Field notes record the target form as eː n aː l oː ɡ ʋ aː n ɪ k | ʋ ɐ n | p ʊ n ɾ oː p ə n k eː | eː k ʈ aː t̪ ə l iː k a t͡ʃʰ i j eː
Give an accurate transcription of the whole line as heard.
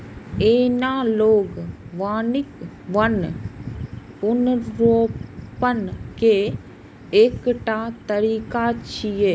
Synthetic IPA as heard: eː n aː l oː ɡ ʋ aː n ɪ k | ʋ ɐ n | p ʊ n ɾ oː p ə n k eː | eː k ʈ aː t̪ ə ɾ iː k a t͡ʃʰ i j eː